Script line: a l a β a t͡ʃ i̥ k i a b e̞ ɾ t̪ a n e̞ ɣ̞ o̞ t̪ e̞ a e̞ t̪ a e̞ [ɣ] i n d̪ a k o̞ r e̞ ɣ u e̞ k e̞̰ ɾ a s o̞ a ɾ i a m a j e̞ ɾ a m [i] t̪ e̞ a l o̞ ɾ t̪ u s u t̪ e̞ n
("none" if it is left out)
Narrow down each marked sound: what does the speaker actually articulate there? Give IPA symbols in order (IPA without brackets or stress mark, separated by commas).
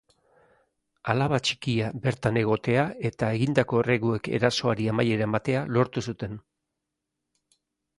ɣ, a